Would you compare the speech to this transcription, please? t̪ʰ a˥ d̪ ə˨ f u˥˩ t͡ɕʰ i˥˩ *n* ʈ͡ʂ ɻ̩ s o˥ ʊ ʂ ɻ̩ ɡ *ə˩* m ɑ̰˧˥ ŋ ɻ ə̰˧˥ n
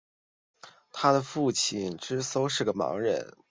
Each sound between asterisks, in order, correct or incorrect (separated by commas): correct, correct